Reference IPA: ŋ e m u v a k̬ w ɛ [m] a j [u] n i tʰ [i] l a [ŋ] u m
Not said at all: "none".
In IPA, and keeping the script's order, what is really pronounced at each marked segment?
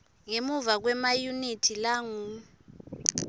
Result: m, u, i, ŋ

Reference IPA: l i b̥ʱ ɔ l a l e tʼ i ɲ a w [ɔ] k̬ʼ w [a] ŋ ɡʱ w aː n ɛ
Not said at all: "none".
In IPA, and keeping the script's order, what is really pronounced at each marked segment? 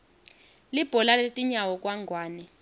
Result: ɔ, a

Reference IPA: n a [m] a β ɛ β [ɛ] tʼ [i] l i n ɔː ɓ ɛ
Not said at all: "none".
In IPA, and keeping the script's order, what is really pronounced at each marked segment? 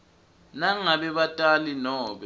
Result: ŋ, a, a

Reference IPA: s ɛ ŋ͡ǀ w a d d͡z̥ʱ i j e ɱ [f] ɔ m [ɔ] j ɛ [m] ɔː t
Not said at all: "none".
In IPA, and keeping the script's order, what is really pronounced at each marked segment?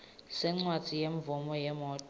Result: v, ɔ, m

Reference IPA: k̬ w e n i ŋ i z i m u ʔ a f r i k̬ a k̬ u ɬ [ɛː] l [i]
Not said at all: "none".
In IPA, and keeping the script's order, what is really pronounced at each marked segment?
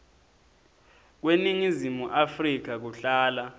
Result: aː, a

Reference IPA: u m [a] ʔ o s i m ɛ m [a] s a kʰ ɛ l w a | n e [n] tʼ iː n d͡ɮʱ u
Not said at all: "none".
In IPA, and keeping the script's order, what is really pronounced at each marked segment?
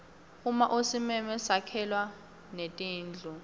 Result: a, ɛ, none

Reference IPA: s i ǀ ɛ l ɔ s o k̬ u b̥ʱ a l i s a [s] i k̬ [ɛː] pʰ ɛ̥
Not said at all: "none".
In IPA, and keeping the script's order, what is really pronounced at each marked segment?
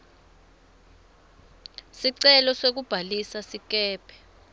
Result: s, ɛː

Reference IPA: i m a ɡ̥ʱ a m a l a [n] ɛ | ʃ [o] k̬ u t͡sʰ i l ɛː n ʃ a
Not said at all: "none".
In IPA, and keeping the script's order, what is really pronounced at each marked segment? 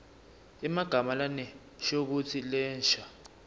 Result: n, o

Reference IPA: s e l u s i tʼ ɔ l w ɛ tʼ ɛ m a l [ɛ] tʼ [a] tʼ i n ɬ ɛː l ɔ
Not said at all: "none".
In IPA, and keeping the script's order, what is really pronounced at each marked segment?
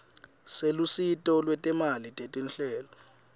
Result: i, e

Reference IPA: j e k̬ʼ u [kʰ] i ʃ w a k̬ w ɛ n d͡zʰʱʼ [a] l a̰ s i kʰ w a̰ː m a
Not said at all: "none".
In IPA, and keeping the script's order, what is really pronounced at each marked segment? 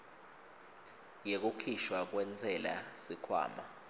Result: kʰ, ɛ

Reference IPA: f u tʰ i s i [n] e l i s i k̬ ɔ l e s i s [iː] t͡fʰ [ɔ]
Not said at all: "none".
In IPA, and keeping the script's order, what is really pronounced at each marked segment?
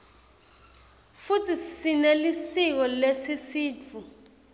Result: n, iː, u

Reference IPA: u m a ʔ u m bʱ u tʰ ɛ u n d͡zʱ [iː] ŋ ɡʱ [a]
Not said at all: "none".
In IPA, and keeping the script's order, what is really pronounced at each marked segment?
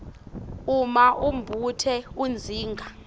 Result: iː, a

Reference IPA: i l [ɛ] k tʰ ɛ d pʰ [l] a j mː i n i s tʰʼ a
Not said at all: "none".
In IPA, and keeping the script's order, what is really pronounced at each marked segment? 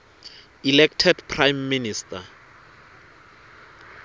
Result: ɛ, r

